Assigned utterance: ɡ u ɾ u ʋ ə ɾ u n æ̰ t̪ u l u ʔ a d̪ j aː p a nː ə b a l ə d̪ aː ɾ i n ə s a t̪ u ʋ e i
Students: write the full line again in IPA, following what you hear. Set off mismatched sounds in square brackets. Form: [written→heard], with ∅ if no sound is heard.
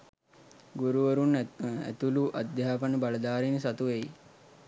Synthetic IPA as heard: ɡ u ɾ u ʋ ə ɾ u n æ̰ t̪ u l u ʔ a d̪ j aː p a [nː→n] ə b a l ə d̪ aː ɾ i n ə s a t̪ u ʋ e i